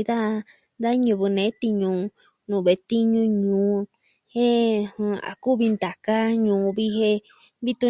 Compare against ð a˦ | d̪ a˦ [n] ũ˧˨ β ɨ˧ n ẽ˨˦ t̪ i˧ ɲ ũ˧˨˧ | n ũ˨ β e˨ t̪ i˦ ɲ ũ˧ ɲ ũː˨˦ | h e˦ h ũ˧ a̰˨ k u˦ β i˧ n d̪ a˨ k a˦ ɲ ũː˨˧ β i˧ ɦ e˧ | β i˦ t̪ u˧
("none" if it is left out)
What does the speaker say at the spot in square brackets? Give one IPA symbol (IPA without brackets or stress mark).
ɲ